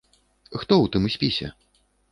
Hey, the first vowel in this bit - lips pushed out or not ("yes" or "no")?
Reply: yes